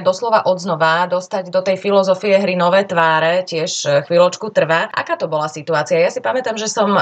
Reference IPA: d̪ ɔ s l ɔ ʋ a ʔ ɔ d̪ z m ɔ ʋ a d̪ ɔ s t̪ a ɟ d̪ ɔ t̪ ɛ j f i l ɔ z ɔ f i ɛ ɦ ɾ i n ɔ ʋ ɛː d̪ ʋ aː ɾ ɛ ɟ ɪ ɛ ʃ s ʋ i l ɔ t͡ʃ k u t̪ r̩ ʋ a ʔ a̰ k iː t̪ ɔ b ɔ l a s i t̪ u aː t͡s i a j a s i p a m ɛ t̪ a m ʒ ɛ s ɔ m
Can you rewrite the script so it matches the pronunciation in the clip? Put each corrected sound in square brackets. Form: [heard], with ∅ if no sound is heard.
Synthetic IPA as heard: d̪ ɔ s l ɔ ʋ a ʔ ɔ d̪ z [n] ɔ ʋ a d̪ ɔ s t̪ a ɟ d̪ ɔ t̪ ɛ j f i l ɔ z ɔ f i ɛ ɦ ɾ i n ɔ ʋ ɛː [t̪] ʋ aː ɾ ɛ [c] ɪ ɛ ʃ [x] ʋ i l ɔ t͡ʃ k u t̪ r̩ ʋ a ʔ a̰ k [aː] t̪ ɔ b ɔ l a s i t̪ u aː t͡s i a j a s i p a m ɛ t̪ a m ʒ ɛ s ɔ m